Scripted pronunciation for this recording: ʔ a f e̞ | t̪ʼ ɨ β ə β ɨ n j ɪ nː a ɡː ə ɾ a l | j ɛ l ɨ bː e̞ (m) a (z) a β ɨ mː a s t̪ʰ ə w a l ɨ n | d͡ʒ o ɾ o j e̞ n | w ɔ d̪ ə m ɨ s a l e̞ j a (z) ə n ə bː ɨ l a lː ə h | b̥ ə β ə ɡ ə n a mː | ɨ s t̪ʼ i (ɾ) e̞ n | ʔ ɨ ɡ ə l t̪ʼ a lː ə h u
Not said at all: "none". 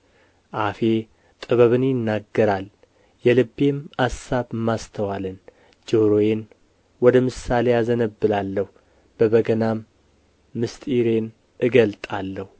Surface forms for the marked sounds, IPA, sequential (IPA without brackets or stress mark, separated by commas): m, s, z, ɾ